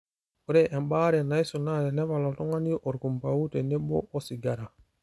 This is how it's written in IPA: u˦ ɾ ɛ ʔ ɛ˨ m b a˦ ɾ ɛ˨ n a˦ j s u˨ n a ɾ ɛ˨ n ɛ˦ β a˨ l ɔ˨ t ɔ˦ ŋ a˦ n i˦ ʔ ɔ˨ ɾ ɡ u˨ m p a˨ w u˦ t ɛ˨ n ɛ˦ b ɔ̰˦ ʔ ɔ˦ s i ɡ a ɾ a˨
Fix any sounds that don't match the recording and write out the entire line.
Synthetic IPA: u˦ ɾ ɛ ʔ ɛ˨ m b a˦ ɾ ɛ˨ n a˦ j s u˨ n a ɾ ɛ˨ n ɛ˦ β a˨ l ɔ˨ t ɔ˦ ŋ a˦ n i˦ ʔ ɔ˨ ɾ k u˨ m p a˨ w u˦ t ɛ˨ n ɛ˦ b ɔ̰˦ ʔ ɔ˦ s i ɡ a ɾ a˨